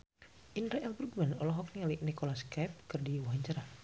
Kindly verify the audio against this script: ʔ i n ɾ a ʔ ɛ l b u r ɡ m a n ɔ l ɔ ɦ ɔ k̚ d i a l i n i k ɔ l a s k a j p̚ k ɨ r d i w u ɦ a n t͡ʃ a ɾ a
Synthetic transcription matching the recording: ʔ i n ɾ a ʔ ɛ l b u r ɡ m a n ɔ l ɔ ɦ ɔ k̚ n i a l i n i k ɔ l a s k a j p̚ k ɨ r d i w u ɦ a ɲ t͡ʃ a ɾ a